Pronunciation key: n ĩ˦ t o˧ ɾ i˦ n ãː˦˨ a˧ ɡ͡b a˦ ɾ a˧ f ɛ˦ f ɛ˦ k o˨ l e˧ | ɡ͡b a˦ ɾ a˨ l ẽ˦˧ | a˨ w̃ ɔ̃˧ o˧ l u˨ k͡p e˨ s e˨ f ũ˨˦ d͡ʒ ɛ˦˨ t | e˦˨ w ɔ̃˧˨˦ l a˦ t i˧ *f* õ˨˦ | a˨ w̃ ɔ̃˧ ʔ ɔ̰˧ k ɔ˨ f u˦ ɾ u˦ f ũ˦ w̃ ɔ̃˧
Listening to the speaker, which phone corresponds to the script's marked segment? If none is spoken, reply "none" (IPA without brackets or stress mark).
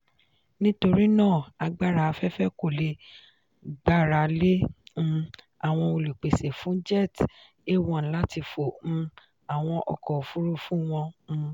f